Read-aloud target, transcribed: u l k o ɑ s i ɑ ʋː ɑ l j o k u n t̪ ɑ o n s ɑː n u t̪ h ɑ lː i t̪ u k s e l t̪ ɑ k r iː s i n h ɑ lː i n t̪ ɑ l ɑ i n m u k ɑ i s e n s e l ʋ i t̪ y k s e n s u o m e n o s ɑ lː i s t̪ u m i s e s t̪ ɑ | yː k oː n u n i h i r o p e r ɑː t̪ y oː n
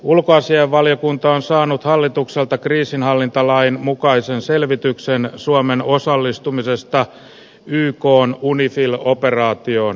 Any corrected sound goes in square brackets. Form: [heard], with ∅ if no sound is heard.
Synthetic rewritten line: u l k o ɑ s i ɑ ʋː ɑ l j o k u n t̪ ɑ o n s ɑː n u t̪ h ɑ lː i t̪ u k s e l t̪ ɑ k r iː s i n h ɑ lː i n t̪ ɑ l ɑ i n m u k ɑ i s e n s e l ʋ i t̪ y k s e n s u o m e n o s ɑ lː i s t̪ u m i s e s t̪ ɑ | yː k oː n u n i [f] i [l] o p e r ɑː t̪ [i] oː n